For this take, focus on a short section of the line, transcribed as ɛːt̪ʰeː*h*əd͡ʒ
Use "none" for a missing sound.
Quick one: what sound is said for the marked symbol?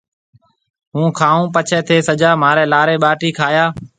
s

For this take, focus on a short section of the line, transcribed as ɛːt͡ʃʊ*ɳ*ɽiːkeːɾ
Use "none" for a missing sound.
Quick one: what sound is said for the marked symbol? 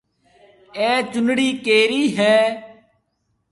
n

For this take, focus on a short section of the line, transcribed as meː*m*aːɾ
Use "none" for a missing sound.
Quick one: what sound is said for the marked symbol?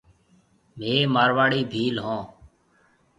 m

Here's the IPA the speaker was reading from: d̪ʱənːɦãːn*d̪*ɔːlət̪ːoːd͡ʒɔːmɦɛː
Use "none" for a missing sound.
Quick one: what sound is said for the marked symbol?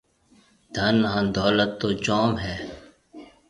d̪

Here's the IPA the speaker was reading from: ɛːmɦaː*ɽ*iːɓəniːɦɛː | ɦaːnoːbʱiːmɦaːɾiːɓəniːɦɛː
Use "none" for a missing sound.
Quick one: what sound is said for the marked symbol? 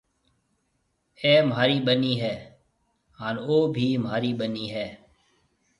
ɾ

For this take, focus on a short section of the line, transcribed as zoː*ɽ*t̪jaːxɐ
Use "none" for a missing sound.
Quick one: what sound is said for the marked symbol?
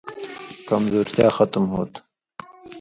ɾ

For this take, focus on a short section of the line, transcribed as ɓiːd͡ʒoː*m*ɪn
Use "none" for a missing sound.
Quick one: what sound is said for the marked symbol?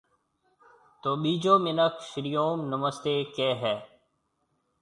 m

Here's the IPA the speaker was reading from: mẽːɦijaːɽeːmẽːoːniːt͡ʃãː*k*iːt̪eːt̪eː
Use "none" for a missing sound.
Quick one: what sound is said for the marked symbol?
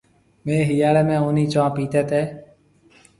p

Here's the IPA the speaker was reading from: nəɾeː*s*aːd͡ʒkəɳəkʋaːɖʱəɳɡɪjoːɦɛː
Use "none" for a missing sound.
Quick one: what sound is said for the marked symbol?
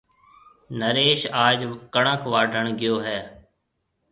ʃ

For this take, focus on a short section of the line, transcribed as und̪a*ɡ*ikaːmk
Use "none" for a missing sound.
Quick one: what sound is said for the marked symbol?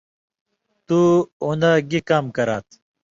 ɡ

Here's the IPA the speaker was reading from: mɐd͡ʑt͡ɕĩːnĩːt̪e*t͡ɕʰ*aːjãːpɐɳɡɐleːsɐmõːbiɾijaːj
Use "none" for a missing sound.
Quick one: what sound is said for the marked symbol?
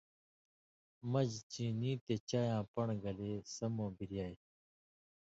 t͡ɕ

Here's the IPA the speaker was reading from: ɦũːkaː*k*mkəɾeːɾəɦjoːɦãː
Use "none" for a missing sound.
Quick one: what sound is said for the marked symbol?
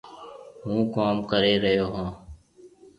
none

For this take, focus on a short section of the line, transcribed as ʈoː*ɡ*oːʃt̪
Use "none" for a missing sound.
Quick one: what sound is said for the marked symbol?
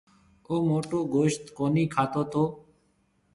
ɡ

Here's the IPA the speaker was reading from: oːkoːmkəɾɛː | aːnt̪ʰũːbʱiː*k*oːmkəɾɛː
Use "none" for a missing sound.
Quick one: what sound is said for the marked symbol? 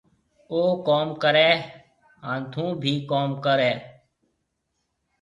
k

